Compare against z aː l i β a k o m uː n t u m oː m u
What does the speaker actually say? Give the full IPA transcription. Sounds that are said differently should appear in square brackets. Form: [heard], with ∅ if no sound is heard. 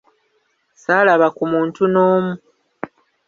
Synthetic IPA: [s] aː l [a] β a k [u] m uː n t u [n] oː m u